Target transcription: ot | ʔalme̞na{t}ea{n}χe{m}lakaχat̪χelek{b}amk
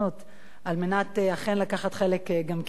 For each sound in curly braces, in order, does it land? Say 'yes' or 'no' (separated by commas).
yes, no, no, no